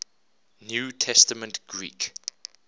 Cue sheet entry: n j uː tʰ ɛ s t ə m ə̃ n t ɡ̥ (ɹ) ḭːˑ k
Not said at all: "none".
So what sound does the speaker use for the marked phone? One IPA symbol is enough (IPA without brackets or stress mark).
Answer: ɹ